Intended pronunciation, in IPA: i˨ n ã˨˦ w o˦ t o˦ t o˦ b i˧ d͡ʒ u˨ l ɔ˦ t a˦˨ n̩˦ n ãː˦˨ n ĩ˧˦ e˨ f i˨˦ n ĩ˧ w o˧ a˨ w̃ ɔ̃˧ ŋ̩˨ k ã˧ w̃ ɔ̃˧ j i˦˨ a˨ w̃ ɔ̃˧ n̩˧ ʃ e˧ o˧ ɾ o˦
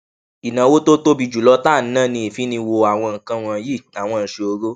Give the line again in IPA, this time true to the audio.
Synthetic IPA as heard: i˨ n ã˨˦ w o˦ t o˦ t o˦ b i˧ d͡ʒ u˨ l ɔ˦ t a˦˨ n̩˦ n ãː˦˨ n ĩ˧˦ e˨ f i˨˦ n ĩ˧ w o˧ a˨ w̃ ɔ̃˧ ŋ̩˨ k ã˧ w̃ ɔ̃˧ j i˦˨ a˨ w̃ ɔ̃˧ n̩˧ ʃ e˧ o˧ ɾ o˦